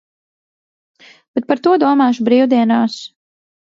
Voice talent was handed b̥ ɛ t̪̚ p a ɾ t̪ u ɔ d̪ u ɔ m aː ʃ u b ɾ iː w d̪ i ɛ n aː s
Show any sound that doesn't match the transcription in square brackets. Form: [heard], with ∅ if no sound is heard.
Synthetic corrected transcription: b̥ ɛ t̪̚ p a ɾ t̪ u ɔ d̪ u ɔ m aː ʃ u b ɾ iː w d̪ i ɛ n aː s